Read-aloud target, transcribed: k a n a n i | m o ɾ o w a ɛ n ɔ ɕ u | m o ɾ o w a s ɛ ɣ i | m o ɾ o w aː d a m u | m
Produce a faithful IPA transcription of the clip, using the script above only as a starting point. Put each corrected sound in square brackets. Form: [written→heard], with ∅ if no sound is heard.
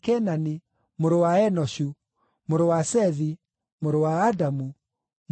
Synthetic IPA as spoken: k [a→ɛ] n a n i | m o ɾ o w a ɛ n ɔ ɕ u | m o ɾ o w a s ɛ [ɣ→ð] i | m o ɾ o w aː d a m u | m

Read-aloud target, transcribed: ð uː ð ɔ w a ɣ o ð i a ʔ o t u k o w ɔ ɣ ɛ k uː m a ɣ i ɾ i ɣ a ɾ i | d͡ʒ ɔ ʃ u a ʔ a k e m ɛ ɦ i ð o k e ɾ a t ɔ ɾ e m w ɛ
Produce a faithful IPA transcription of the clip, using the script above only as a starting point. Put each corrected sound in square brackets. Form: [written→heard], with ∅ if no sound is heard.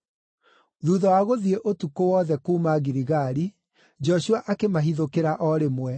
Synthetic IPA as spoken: ð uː ð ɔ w a ɣ o ð i [a→e] ʔ o t u k o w ɔ [ɣ→ð] ɛ k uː m a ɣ i ɾ i ɣ a ɾ i | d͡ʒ ɔ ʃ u a ʔ a k e m [ɛ→a] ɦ i ð o k e ɾ a [t→ʔ] ɔ ɾ e m w ɛ

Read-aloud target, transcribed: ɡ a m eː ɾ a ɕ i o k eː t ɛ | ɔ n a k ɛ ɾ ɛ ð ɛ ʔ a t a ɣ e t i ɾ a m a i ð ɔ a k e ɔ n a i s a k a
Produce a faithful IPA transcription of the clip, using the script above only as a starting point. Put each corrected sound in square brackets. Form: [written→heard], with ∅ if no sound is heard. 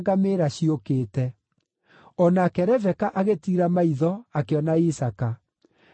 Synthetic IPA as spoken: ɡ a m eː ɾ a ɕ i o k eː t ɛ | ɔ n a k ɛ ɾ ɛ [ð→v] ɛ [ʔ→k] a [t→ʔ] a ɣ e t i ɾ a m a i ð ɔ a k e ɔ n a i s a k a

